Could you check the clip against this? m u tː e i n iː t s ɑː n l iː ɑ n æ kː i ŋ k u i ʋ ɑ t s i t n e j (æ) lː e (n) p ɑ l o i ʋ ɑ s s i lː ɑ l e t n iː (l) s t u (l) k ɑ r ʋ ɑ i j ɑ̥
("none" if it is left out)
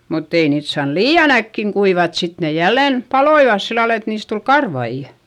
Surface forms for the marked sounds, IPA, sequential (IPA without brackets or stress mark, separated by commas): æ, n, none, l